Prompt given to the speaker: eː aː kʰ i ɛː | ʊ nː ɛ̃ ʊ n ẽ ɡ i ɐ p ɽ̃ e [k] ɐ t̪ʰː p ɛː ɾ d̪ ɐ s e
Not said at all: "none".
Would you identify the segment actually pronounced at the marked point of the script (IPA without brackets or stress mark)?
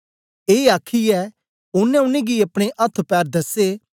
ʔ